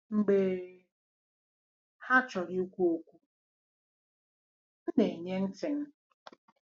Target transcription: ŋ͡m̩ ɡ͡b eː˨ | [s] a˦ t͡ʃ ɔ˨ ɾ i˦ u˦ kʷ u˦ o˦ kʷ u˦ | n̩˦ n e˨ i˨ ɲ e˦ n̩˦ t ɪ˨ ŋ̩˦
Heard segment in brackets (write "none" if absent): h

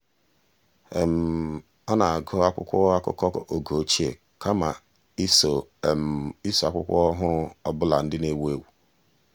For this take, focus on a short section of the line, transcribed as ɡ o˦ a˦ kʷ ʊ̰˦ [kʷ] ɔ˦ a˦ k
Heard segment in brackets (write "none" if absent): kʷ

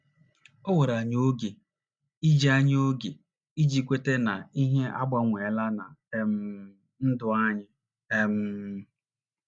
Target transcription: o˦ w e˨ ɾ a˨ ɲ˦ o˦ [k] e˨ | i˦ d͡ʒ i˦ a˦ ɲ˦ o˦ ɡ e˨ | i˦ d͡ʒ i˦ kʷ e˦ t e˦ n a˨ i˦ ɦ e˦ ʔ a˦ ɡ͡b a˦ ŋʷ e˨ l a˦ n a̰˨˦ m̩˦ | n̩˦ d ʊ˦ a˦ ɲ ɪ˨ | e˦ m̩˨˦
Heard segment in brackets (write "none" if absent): ɡ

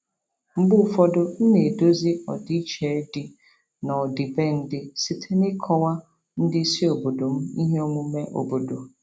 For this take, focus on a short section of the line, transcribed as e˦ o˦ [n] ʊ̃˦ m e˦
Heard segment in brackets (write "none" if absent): m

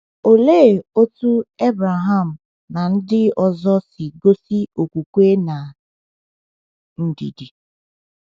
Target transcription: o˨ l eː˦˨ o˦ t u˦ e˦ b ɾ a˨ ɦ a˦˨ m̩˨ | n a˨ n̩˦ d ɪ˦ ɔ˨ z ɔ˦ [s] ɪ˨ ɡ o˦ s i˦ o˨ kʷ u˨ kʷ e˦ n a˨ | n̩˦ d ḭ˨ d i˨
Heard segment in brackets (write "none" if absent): s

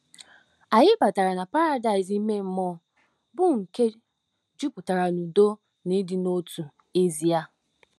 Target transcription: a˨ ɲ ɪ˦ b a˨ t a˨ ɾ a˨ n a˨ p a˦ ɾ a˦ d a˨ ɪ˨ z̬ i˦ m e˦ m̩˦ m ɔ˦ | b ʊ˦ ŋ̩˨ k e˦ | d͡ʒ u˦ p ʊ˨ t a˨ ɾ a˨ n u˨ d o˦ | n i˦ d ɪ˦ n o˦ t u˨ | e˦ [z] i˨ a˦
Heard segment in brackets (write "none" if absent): z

